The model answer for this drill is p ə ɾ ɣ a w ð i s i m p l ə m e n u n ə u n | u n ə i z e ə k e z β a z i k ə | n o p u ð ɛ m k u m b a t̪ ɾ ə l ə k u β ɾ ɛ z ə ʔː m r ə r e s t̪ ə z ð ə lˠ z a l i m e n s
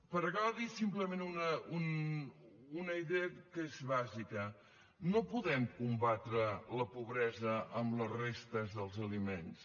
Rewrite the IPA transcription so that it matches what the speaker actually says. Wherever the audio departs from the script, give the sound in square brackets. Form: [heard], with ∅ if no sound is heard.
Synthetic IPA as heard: p ə ɾ ɣ a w ð i s i m p l ə m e n u n ə u n | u n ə i [ð] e ə k e z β a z i k ə | n o p u ð ɛ m k u m b a t̪ ɾ ə l ə [p] u β ɾ ɛ z ə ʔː m [l] ə r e s t̪ ə z ð ə lˠ z [ə] l i m e n s